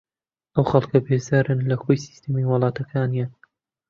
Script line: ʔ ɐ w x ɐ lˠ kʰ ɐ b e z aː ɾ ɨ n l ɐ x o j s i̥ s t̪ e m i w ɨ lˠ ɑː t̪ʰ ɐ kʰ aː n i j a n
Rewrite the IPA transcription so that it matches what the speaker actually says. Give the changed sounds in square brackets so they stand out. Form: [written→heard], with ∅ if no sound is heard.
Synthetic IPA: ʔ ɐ w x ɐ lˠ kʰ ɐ b e z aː ɾ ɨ n l ɐ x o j s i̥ s t̪ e m i w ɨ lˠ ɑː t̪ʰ ɐ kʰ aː n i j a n